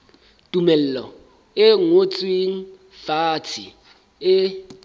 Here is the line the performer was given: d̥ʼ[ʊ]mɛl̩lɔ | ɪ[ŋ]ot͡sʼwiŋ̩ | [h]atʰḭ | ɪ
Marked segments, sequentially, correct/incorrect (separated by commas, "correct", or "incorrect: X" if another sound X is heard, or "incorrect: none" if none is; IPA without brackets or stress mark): incorrect: u, correct, incorrect: f